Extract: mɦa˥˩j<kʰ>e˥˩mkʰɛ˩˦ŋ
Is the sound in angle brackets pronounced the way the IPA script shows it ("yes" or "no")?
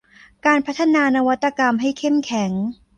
yes